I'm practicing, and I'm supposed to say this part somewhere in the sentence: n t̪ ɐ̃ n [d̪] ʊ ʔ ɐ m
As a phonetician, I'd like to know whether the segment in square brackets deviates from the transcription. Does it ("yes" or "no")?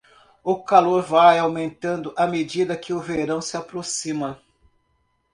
no